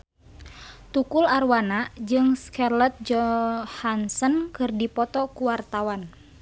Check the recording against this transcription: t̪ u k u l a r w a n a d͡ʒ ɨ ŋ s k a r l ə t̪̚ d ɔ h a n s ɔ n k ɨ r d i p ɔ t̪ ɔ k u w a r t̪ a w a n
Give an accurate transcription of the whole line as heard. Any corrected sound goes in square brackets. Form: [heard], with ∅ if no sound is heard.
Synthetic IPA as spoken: t̪ u k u l a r w a n a d͡ʒ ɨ ŋ s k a r l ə t̪̚ [d͡ʒ] ɔ h a n s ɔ n k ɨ r d i p ɔ t̪ ɔ k u w a r t̪ a w a n